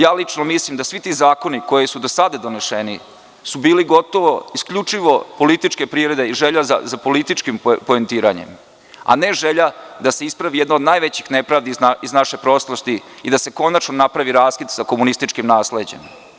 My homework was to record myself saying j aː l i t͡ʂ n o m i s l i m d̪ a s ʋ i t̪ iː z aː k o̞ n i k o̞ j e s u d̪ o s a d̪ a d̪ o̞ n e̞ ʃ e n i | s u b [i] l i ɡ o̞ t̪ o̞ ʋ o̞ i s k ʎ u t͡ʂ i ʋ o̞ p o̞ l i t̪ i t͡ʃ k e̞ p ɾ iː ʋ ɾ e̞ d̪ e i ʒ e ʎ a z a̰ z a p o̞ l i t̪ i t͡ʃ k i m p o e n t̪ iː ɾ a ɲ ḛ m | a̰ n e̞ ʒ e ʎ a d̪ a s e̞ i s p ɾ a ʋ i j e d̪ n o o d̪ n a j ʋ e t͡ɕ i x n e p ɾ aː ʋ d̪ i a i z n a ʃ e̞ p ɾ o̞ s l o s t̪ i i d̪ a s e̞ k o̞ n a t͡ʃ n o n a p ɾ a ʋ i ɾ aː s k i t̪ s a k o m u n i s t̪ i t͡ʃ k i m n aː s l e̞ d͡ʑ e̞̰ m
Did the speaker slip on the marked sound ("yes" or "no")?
yes